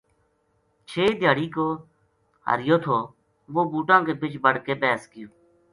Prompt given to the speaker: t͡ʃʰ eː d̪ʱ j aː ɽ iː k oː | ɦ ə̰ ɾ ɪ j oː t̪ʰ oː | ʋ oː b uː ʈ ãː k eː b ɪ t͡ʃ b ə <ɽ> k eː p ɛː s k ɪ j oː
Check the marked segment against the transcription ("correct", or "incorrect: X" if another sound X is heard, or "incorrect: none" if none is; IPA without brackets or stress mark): correct